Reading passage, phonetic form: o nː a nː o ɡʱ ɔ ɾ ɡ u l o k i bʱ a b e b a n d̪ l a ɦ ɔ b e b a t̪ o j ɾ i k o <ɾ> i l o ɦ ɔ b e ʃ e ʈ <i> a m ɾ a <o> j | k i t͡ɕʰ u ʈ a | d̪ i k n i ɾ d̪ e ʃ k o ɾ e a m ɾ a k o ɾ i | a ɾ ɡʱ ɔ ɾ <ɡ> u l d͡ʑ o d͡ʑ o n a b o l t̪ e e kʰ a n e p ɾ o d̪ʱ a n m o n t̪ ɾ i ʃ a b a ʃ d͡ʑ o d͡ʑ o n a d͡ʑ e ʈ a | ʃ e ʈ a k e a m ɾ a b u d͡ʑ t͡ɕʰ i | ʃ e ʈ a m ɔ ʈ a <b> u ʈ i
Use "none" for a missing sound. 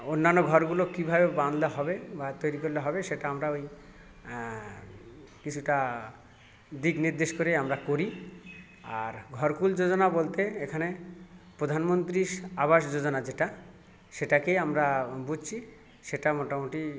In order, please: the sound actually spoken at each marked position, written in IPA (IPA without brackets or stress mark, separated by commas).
ɾ, a, o, k, m